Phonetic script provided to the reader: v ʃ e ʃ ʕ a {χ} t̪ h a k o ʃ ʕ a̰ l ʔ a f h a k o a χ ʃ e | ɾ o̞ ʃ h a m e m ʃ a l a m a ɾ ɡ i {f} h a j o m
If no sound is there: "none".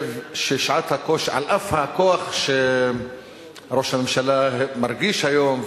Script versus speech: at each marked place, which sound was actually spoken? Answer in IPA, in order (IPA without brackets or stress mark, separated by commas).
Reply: none, ʃ